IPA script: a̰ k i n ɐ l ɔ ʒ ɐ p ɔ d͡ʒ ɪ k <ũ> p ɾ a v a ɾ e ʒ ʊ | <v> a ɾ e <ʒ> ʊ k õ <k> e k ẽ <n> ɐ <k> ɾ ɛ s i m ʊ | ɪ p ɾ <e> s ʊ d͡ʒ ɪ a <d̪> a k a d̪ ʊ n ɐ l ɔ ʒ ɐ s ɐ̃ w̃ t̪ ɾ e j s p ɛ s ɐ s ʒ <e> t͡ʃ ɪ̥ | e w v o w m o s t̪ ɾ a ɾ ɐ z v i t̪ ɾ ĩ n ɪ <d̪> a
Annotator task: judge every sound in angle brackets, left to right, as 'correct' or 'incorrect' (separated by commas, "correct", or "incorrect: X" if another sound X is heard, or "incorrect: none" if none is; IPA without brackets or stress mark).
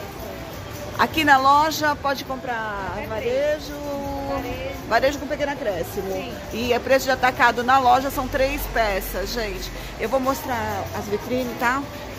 incorrect: õ, correct, correct, incorrect: p, correct, correct, correct, incorrect: t̪, incorrect: ẽ, incorrect: t̪